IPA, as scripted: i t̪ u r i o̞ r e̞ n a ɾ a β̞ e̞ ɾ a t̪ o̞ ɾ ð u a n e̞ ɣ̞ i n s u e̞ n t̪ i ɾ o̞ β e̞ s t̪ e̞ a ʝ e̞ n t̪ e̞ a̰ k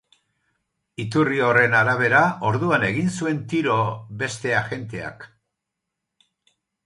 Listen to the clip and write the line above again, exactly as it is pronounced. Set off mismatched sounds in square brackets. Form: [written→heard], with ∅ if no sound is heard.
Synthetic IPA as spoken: i t̪ u r i o̞ r e̞ n a ɾ a β̞ e̞ ɾ a [t̪→∅] o̞ ɾ ð u a n e̞ ɣ̞ i n s u e̞ n t̪ i ɾ o̞ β e̞ s t̪ e̞ a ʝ e̞ n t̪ e̞ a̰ k